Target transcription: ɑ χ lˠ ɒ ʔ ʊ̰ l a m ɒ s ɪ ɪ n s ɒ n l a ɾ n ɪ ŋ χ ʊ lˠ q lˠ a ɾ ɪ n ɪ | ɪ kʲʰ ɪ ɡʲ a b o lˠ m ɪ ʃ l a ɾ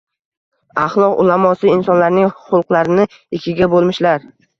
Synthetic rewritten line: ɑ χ lˠ ɒ q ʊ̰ l a m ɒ s ɪ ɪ n s ɒ n l a ɾ n ɪ ŋ χ ʊ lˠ q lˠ a ɾ ɪ n ɪ | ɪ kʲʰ ɪ ɡʲ a b o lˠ m ɪ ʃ l a ɾ